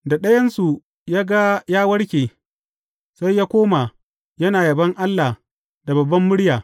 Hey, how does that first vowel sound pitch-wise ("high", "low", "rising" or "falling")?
low